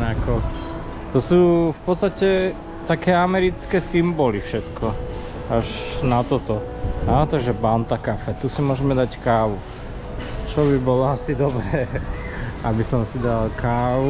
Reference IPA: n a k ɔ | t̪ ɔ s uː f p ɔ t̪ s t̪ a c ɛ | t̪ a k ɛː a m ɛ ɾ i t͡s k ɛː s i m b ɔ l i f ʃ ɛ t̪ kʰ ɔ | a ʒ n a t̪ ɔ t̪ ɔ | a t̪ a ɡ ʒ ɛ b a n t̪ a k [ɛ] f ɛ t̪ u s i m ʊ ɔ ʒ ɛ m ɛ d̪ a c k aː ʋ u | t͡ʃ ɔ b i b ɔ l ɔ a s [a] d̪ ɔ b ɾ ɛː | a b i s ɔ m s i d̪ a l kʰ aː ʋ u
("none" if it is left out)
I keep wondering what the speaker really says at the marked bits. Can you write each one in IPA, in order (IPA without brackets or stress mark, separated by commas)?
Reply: a, i